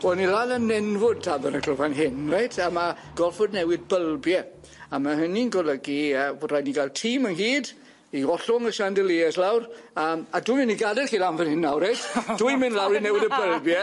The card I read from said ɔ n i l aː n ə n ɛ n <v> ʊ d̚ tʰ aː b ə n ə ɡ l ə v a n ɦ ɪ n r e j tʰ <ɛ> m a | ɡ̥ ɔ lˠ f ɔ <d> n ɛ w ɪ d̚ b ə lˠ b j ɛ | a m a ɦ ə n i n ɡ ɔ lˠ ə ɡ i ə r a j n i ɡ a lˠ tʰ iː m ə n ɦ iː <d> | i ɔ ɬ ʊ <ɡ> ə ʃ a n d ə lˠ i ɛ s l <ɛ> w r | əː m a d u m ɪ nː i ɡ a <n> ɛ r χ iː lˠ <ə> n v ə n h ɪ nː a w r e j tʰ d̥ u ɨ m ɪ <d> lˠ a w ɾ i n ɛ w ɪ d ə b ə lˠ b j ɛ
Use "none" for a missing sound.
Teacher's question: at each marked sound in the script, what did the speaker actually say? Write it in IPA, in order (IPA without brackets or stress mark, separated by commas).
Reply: v, a, d, d, ŋ, a, d, a, n